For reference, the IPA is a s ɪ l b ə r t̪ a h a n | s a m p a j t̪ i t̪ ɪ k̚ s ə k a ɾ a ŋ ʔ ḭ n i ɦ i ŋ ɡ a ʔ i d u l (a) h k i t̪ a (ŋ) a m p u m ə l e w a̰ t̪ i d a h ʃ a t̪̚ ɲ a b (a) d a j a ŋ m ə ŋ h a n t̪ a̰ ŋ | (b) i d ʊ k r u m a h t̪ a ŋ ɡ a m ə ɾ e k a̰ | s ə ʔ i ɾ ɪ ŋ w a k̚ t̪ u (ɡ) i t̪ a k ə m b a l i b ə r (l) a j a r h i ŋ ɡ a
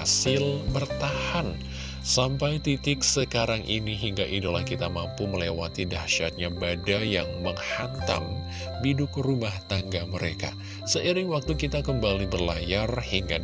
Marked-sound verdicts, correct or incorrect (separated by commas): correct, incorrect, correct, correct, incorrect, correct